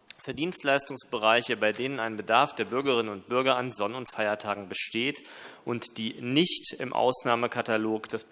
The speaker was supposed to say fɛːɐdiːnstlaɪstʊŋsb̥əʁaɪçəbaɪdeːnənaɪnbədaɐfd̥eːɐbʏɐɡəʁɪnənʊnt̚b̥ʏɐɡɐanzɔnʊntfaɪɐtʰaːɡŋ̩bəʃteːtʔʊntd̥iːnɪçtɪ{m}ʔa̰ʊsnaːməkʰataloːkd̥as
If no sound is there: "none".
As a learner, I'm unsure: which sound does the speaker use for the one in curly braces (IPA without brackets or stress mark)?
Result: m